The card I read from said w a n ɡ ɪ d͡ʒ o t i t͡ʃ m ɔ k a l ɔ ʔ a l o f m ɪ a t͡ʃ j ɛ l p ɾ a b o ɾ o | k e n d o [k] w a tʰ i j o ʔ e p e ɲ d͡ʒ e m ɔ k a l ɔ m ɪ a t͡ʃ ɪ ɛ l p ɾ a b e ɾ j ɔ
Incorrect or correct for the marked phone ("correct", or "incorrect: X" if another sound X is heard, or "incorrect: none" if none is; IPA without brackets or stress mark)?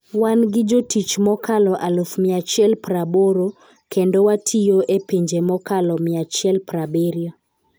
incorrect: none